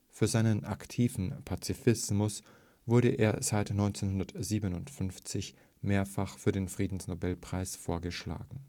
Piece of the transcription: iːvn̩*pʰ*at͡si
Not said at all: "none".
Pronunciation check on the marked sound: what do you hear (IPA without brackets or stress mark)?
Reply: pʰ